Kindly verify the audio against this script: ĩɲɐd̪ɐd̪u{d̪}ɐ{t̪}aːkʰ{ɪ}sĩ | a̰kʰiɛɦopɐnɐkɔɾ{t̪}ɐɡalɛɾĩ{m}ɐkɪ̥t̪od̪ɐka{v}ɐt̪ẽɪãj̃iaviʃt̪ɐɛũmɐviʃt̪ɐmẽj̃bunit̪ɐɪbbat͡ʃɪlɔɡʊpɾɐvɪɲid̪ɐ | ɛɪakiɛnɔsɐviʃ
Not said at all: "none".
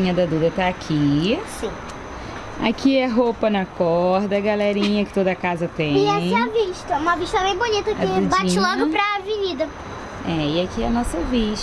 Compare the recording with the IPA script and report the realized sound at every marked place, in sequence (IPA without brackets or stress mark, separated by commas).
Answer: d̪, t̪, i, d̪, ɲ, z